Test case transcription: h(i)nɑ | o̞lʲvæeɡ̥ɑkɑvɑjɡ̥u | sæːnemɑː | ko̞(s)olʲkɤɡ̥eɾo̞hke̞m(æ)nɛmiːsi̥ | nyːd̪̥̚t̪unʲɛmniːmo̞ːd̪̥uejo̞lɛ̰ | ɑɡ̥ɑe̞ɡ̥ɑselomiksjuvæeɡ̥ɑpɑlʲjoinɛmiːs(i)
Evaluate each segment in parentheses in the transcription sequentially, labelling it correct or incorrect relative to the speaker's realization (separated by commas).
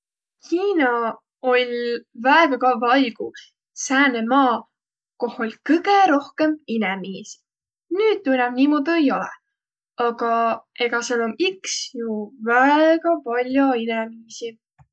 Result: incorrect, incorrect, incorrect, correct